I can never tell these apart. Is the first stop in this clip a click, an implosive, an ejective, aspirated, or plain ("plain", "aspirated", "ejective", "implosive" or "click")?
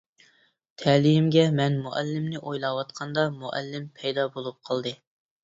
aspirated